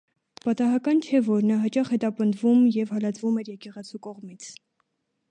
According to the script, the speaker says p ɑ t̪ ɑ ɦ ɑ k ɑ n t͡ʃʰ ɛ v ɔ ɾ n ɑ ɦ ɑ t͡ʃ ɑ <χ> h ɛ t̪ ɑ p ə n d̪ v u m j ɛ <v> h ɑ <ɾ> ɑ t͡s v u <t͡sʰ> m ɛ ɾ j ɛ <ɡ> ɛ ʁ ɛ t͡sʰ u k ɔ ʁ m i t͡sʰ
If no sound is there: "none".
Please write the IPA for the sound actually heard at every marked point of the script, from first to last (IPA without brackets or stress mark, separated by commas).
χ, v, l, none, k